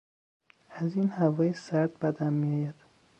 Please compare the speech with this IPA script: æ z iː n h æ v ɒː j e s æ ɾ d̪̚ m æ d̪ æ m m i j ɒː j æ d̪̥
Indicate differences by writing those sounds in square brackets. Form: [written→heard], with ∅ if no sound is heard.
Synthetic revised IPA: æ z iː n h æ v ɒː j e s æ ɾ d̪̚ [m→b] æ d̪ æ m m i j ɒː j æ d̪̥